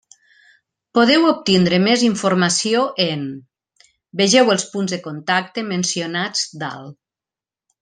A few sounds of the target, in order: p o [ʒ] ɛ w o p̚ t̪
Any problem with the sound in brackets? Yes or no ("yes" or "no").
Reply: yes